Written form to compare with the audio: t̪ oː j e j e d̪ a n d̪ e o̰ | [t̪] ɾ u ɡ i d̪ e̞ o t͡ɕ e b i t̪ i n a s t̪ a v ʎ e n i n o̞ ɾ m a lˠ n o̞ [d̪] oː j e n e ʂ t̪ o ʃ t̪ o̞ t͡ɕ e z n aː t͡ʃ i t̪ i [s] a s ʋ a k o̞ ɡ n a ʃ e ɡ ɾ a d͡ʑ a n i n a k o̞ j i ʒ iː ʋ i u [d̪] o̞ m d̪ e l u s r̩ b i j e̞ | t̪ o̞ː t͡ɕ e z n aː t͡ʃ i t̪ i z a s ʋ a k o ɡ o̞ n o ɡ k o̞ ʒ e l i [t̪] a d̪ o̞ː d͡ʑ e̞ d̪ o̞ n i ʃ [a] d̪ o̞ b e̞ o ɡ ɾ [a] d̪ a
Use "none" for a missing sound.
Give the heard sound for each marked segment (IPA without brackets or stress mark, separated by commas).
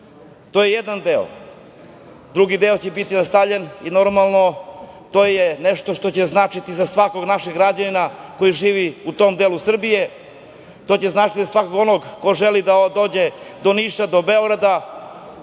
d̪, t̪, z, t̪, d̪, a, a